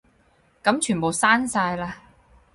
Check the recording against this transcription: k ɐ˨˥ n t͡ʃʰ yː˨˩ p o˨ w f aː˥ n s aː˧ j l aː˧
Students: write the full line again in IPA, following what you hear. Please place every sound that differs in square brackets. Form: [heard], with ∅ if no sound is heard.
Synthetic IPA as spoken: k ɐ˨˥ [m] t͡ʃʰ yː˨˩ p o˨ w [s] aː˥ n s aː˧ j l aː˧